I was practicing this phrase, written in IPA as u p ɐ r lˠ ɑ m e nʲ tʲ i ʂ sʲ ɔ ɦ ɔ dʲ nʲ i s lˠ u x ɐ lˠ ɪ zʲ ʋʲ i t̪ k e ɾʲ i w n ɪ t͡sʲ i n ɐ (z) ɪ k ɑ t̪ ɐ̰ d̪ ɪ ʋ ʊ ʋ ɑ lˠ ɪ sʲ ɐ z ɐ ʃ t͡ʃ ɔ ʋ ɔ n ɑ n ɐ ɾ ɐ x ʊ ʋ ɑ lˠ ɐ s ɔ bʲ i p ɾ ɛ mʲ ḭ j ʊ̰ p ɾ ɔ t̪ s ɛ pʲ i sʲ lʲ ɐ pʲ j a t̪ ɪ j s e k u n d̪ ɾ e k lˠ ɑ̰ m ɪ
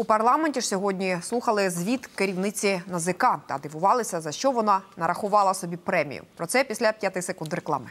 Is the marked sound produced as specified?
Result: yes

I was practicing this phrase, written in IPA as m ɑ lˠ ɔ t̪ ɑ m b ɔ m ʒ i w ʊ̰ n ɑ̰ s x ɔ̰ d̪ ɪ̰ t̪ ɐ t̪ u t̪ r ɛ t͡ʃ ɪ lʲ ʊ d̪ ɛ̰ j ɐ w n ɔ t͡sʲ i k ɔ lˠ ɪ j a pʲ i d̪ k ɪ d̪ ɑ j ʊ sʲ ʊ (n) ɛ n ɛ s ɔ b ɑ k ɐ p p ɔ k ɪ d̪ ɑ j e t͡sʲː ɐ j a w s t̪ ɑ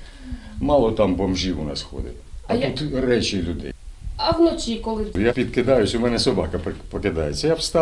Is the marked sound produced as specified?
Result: no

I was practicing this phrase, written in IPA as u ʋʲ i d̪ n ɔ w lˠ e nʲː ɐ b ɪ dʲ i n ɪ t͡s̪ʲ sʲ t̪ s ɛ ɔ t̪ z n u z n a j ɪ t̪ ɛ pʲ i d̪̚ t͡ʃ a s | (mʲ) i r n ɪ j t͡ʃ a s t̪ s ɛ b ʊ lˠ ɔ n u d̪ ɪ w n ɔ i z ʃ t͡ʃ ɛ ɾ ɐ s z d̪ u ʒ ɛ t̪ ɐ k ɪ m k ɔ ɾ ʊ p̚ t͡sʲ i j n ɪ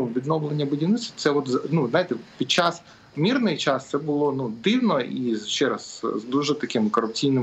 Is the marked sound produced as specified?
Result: yes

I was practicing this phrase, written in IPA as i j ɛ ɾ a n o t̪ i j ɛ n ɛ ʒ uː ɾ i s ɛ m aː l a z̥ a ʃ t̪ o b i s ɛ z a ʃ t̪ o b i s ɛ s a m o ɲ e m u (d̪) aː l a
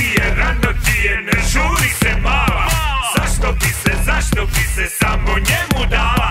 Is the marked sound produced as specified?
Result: yes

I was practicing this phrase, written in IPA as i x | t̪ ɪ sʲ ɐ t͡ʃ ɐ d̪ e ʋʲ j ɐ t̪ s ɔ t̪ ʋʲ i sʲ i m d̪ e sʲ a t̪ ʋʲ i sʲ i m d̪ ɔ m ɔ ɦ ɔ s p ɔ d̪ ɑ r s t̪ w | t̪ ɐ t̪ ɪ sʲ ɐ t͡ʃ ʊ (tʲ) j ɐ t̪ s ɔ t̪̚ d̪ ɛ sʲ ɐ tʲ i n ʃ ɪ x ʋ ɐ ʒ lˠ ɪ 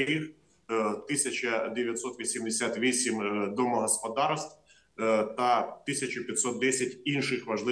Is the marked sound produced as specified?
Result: no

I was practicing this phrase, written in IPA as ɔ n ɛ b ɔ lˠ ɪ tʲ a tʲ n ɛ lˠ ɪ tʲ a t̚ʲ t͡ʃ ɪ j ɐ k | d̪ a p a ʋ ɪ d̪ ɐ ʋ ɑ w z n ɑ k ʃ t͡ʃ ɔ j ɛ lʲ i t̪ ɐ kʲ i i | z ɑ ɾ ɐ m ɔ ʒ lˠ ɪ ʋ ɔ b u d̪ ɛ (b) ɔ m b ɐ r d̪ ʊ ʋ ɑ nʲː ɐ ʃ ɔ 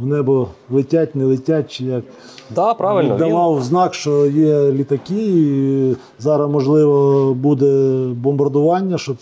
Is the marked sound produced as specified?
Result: yes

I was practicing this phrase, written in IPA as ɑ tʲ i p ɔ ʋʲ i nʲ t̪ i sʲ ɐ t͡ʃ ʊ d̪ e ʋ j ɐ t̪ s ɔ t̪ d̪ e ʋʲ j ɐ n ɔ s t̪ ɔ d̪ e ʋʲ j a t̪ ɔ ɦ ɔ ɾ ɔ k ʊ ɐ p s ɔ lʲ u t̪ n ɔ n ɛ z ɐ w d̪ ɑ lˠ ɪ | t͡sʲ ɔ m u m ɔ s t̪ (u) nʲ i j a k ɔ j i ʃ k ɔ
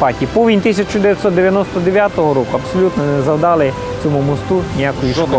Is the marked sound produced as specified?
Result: yes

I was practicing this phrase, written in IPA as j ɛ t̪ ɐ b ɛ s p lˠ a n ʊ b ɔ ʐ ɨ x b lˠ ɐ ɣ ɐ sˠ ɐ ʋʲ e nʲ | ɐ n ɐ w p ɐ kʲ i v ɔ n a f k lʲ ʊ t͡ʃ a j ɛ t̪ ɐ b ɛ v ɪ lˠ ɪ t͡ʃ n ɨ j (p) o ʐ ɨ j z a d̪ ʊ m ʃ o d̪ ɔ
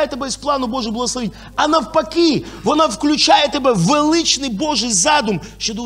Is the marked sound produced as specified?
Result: no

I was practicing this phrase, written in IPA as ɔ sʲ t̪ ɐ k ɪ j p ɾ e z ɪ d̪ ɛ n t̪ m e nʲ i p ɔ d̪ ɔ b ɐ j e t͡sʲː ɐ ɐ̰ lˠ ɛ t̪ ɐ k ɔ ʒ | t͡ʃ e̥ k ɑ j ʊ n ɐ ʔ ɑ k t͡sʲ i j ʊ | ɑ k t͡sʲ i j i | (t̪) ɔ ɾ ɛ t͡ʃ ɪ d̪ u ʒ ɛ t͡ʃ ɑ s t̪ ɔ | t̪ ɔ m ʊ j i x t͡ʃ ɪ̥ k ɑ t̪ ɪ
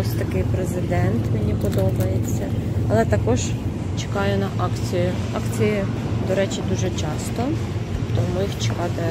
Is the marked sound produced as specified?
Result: no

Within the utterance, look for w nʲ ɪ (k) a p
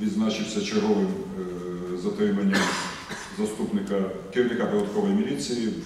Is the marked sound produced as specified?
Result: yes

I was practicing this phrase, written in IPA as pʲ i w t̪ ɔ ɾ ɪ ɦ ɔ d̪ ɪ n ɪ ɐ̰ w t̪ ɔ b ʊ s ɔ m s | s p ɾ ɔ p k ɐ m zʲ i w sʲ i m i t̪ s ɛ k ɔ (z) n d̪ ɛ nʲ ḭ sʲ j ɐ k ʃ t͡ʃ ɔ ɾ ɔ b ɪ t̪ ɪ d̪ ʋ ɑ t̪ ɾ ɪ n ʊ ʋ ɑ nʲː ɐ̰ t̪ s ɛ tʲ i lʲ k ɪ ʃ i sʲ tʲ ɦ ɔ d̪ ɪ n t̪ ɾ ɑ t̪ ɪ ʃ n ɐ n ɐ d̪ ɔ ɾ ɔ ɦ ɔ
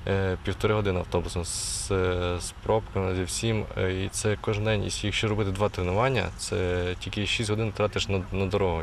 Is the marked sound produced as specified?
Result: no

